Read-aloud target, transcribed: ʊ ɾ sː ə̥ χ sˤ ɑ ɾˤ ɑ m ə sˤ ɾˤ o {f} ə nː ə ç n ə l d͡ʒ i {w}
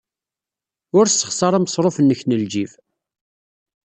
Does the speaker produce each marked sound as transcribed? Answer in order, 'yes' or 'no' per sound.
yes, no

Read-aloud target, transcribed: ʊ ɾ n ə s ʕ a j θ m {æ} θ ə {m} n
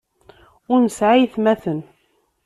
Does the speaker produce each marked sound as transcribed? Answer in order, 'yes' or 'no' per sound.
yes, no

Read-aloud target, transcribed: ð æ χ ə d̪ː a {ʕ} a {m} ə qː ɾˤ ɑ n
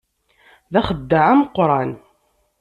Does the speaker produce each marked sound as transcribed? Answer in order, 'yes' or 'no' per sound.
yes, yes

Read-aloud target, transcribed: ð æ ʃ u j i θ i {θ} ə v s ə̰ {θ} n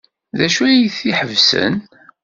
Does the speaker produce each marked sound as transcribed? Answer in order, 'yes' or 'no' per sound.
no, no

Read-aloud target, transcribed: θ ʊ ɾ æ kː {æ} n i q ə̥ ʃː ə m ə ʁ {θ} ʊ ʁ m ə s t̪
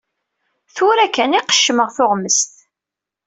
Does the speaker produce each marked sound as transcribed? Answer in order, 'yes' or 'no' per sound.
yes, yes

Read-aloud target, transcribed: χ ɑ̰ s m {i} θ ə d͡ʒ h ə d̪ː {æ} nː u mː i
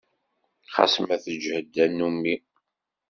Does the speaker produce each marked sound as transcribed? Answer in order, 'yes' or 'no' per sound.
no, yes

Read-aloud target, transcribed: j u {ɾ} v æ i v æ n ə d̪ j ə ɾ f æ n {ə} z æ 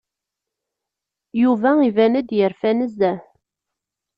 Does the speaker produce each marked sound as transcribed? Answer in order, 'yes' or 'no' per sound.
no, yes

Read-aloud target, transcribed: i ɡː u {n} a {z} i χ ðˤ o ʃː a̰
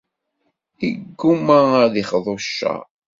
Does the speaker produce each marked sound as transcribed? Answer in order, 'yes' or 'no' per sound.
no, no

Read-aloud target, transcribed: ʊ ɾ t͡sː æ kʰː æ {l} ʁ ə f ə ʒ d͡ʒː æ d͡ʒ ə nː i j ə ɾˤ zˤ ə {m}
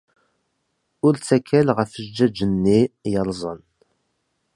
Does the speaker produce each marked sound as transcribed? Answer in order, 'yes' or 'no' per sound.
yes, no

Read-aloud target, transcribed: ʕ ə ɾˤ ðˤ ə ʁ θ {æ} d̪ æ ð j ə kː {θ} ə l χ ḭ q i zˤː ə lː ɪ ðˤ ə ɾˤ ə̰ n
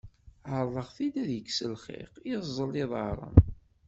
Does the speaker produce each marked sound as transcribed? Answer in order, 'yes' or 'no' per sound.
no, no

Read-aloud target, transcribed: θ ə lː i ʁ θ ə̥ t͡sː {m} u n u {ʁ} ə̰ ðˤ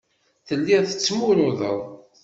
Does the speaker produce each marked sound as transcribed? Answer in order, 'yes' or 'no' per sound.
yes, no

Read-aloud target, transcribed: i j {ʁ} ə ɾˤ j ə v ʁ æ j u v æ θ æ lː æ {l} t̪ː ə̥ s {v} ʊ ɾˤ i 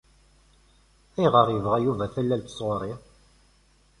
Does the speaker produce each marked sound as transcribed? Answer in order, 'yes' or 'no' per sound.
yes, yes, no

